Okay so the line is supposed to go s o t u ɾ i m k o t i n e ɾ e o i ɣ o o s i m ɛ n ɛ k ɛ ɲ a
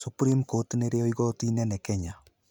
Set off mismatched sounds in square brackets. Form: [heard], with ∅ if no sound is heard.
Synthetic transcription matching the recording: s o [p] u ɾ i m k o t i n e ɾ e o i ɣ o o [t] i [n] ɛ n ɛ k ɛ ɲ a